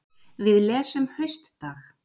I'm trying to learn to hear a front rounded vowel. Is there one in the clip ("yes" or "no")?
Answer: yes